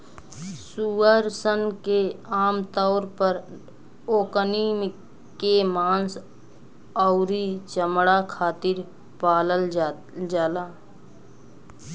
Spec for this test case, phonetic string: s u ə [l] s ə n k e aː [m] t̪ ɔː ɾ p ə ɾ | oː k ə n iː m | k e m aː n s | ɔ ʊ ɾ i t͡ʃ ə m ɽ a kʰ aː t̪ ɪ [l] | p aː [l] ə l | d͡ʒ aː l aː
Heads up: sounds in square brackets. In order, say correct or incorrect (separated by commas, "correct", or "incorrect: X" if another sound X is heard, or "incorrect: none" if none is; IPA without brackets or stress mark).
incorrect: ɾ, correct, incorrect: ɾ, correct